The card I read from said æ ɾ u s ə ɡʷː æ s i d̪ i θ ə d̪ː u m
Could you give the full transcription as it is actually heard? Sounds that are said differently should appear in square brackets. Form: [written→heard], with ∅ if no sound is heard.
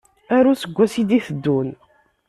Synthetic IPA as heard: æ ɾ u s ə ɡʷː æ s i d̪ i θ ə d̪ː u [m→n]